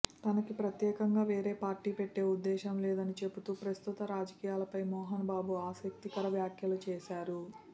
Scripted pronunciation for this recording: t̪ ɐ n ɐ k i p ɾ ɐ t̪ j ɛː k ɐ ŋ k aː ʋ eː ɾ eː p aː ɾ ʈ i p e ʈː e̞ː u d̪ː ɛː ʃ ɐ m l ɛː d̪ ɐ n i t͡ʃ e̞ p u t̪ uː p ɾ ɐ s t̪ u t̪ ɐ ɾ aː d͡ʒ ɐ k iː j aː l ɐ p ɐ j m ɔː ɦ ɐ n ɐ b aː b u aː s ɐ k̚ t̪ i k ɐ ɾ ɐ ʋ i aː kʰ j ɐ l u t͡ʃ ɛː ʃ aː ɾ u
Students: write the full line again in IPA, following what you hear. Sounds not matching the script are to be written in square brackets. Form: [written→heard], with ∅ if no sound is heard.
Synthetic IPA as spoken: t̪ ɐ n ɐ k i p ɾ ɐ t̪ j ɛː k ɐ ŋ [k→ɡ] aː ʋ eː ɾ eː p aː ɾ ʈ [i→iː] p e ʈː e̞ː u d̪ː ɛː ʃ ɐ m l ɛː d̪ ɐ n i t͡ʃ e̞ p u t̪ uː p ɾ ɐ s t̪ u t̪ ɐ ɾ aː d͡ʒ ɐ k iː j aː l ɐ p ɐ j m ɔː ɦ ɐ n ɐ b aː b u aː s ɐ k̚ t̪ i k ɐ ɾ ɐ ʋ [i→j] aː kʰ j ɐ l u t͡ʃ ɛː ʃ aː ɾ u